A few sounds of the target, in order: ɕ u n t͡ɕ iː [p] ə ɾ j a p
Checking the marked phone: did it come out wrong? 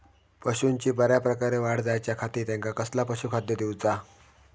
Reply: yes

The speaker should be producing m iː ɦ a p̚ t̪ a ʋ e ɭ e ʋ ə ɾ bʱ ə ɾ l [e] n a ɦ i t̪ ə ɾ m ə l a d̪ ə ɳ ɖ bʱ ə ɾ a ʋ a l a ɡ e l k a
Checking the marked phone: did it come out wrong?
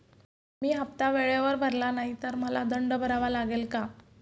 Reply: yes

